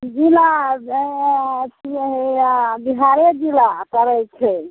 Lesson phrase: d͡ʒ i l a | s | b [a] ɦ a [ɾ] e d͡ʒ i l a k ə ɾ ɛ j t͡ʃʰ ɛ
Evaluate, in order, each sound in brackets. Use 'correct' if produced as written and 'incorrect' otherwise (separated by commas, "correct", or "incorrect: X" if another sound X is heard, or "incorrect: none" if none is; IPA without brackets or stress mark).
incorrect: i, correct